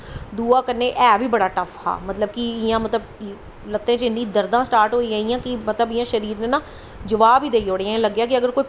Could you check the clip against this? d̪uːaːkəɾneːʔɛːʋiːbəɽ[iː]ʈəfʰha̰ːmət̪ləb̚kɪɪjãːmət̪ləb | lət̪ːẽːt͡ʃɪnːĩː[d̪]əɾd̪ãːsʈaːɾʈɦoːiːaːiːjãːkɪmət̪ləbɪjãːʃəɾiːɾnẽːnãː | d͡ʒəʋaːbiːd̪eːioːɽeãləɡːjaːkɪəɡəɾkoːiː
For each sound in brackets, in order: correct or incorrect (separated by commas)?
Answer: incorrect, correct